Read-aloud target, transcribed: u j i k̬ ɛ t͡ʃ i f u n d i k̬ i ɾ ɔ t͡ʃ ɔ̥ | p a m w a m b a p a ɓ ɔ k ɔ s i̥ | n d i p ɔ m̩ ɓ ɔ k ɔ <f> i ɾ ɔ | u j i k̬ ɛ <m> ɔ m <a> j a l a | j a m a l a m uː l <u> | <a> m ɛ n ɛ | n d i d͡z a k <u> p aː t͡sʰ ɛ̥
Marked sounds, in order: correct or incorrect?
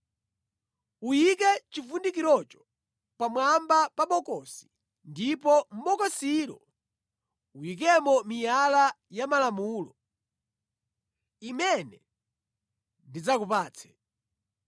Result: incorrect, correct, incorrect, incorrect, incorrect, correct

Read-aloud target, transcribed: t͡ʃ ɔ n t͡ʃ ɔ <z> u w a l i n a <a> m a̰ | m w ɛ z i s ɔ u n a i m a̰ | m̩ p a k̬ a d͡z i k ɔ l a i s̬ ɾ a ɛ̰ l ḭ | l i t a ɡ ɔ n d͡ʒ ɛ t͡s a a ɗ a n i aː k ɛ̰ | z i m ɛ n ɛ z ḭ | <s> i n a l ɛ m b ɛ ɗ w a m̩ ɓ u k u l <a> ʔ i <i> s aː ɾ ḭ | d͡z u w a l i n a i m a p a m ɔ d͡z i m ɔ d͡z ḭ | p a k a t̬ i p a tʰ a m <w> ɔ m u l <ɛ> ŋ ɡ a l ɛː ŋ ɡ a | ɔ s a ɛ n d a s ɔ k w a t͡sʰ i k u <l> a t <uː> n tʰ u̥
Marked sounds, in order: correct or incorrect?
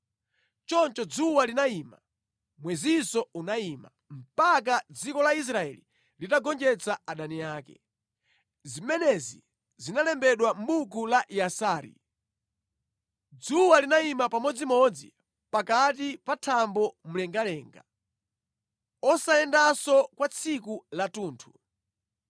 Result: incorrect, incorrect, incorrect, correct, incorrect, incorrect, correct, correct, correct

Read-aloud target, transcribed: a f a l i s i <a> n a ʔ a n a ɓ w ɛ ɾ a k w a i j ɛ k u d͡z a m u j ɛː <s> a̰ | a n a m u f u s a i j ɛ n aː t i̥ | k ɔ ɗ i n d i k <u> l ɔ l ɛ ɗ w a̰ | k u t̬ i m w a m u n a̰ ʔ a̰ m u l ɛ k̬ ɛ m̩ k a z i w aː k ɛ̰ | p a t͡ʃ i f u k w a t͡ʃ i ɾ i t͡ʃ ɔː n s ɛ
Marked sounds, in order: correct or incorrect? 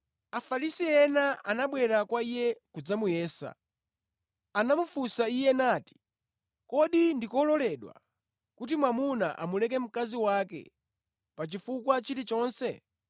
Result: incorrect, correct, incorrect

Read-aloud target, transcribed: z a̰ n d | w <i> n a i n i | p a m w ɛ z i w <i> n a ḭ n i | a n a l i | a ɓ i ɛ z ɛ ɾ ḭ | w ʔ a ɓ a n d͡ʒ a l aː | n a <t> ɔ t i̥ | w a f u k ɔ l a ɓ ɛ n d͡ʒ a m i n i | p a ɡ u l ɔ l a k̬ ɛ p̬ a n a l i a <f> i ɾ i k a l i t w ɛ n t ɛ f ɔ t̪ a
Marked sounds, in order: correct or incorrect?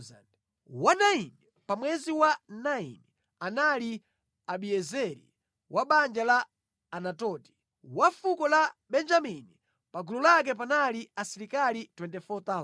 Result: incorrect, incorrect, correct, incorrect

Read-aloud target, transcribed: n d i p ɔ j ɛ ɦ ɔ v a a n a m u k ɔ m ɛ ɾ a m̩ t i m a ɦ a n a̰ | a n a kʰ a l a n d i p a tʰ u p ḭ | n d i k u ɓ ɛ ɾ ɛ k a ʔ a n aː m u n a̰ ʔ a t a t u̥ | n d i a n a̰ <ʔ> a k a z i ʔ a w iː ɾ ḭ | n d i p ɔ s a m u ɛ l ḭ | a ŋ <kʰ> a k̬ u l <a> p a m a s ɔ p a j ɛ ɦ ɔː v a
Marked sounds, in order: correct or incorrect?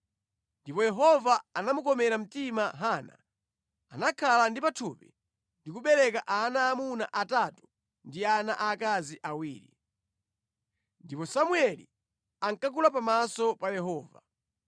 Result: correct, incorrect, correct

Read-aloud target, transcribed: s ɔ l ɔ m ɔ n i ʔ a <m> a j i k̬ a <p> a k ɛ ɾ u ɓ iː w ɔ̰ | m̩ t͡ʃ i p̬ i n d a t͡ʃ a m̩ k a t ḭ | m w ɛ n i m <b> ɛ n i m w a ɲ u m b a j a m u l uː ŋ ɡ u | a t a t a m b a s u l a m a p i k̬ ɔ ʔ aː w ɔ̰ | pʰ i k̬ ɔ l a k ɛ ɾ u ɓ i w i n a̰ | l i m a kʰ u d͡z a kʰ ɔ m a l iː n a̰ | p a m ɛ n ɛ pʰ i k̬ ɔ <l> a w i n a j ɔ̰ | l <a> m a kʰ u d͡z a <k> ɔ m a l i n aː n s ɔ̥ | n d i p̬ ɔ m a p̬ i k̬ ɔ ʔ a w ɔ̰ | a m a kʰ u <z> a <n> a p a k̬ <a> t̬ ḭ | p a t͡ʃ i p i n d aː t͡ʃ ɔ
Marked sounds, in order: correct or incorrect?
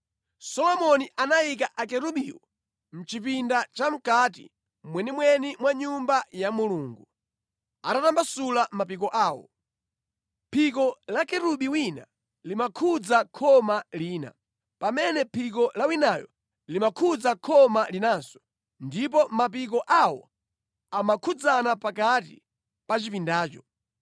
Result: incorrect, incorrect, incorrect, correct, incorrect, incorrect, incorrect, correct, correct

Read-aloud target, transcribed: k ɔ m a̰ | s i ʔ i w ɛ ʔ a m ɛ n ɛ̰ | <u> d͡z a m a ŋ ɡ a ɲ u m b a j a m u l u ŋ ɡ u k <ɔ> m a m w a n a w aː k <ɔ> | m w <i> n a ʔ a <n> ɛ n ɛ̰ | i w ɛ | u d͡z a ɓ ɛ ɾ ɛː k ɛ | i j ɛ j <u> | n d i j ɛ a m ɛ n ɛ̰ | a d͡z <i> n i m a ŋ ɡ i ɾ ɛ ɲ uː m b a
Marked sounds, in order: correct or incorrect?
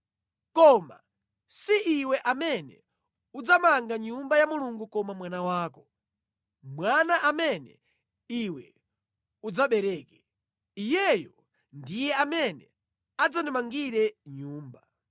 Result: correct, correct, correct, incorrect, incorrect, incorrect, incorrect

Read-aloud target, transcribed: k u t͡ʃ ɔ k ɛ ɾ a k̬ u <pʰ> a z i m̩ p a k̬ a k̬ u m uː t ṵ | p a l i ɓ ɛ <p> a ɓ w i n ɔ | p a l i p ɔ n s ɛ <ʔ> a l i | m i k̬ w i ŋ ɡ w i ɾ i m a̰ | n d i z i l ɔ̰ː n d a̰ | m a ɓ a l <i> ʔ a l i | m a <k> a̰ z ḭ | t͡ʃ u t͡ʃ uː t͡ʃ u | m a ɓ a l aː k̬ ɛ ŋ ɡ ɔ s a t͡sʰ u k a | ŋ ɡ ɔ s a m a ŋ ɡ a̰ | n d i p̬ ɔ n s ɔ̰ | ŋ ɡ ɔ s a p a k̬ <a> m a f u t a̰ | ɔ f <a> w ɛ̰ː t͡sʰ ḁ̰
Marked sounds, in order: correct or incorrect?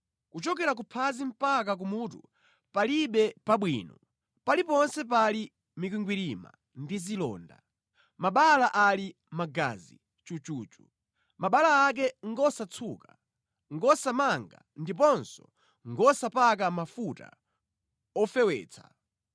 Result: correct, correct, incorrect, incorrect, incorrect, correct, incorrect

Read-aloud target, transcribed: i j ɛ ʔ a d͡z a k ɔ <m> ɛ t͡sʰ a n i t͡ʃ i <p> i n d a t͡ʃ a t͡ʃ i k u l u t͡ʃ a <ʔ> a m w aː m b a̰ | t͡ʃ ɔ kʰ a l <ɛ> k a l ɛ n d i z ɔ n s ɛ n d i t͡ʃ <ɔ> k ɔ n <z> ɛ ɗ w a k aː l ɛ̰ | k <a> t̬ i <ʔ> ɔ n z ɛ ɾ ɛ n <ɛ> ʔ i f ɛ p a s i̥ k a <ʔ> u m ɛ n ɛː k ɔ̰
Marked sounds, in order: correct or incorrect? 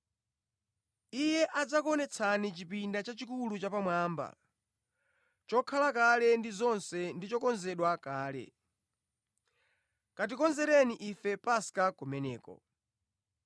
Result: incorrect, correct, incorrect, incorrect, correct, correct, correct, incorrect, incorrect, incorrect

